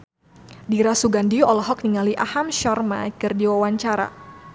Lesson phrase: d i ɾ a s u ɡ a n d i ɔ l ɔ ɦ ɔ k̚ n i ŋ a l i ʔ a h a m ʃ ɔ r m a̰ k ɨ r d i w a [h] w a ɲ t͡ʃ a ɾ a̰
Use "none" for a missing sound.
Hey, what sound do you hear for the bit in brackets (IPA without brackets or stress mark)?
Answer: none